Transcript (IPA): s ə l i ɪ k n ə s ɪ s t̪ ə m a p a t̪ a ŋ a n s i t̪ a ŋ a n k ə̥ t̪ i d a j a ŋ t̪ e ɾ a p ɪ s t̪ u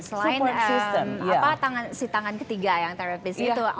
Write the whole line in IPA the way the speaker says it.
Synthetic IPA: s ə l a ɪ n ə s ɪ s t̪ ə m a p a t̪ a ŋ a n s i t̪ a ŋ a n k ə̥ t̪ i ɡ a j a ŋ t̪ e ɾ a p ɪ s t̪ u